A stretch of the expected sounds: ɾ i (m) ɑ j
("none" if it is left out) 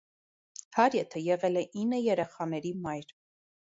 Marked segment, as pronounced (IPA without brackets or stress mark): m